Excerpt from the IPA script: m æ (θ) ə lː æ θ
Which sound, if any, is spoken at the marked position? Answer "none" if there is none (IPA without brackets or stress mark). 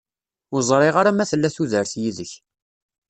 θ